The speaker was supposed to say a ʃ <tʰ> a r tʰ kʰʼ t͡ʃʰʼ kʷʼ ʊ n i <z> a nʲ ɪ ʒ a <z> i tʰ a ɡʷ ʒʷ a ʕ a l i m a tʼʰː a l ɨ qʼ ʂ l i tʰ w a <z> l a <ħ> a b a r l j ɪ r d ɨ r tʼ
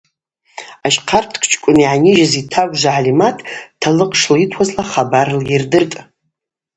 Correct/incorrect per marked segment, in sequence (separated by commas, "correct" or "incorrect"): incorrect, incorrect, correct, correct, incorrect